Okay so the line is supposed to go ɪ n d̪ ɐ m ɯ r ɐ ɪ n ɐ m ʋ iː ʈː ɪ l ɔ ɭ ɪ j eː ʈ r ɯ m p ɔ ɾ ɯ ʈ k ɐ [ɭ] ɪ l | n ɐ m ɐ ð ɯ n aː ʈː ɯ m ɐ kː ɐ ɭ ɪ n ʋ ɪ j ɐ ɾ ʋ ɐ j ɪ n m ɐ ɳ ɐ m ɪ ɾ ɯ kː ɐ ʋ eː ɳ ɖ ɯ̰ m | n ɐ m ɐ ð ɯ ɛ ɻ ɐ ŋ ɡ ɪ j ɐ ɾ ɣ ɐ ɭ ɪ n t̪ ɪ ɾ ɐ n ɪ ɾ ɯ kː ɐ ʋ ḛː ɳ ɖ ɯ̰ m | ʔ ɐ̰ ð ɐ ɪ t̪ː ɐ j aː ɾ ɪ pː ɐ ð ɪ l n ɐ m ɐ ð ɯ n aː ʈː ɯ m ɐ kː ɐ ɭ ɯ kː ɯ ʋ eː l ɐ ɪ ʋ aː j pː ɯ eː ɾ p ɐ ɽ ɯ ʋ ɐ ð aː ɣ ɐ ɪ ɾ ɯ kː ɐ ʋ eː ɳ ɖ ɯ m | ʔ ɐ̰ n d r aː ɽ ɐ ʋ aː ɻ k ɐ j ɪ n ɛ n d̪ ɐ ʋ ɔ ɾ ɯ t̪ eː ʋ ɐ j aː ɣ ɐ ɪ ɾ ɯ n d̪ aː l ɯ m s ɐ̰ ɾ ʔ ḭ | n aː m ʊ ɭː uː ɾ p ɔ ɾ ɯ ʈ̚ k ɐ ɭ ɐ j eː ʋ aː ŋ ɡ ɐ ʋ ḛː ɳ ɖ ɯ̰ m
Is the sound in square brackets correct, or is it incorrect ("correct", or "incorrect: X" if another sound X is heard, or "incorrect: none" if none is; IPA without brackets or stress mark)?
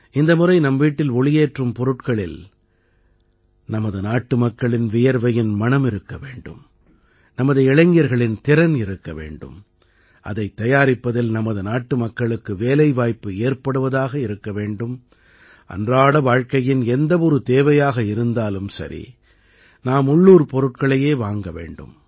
correct